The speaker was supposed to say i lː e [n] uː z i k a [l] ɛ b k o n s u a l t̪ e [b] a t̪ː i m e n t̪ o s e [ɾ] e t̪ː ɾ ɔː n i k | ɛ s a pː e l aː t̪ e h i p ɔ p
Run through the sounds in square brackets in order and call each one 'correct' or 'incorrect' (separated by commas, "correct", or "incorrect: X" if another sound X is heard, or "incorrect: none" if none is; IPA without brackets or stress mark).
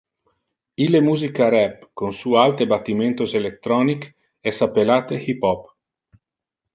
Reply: incorrect: m, incorrect: ɾ, correct, incorrect: l